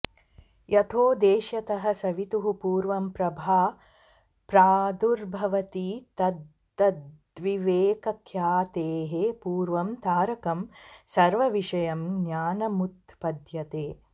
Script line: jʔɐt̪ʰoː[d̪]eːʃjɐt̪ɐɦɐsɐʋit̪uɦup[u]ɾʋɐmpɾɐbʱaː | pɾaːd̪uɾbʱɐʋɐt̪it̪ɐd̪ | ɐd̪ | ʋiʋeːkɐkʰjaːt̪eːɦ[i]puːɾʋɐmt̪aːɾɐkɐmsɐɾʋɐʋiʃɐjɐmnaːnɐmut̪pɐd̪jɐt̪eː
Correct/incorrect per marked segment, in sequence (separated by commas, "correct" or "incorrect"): correct, incorrect, incorrect